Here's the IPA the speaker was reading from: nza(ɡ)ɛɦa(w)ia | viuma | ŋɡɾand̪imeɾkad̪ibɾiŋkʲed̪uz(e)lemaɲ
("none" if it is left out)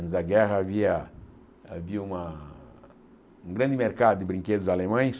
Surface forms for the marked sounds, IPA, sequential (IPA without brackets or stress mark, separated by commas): ɡ, v, a